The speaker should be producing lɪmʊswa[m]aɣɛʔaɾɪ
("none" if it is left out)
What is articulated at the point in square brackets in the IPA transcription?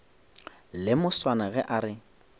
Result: n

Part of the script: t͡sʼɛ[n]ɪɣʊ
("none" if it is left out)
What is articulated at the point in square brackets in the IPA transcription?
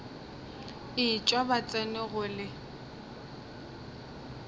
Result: n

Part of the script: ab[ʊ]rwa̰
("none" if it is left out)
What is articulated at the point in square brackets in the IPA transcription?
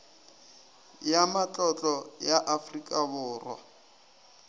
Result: ʊː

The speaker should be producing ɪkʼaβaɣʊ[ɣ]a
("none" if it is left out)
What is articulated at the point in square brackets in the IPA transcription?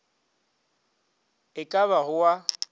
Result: w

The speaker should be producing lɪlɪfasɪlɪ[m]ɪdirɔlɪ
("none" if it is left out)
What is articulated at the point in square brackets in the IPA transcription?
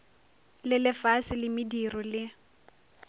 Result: m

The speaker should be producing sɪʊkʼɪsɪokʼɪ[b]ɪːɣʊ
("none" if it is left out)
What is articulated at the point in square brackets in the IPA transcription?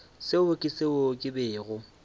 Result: b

